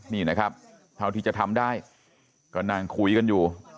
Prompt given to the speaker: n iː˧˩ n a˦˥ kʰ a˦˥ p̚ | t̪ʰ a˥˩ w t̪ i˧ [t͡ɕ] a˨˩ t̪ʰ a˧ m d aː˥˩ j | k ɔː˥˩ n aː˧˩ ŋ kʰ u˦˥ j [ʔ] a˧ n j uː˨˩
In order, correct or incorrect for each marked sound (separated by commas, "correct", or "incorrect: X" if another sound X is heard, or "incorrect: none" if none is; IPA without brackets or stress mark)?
correct, incorrect: k